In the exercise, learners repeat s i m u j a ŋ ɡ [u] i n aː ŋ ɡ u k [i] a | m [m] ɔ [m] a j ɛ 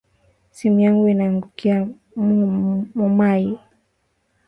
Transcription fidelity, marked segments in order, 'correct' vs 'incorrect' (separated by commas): correct, correct, correct, correct